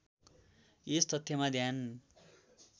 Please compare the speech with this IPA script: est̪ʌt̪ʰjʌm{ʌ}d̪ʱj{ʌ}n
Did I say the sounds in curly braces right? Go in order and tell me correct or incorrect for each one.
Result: incorrect, incorrect

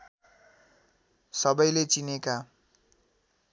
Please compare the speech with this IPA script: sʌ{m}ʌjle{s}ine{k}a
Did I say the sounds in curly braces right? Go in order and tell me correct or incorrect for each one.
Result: incorrect, incorrect, correct

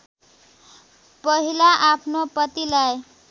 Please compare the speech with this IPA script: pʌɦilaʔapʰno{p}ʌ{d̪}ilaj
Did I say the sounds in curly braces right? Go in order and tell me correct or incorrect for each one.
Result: correct, incorrect

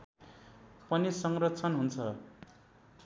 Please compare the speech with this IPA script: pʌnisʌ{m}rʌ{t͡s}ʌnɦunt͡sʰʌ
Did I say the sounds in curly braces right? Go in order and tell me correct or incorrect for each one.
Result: incorrect, incorrect

